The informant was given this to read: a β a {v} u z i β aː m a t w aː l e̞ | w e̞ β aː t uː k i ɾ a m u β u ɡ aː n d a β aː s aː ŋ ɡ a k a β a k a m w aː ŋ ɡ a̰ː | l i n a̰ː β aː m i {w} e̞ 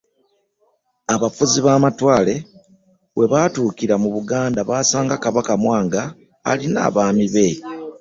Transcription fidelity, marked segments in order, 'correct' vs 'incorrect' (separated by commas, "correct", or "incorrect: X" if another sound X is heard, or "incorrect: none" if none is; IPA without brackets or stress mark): incorrect: f, incorrect: β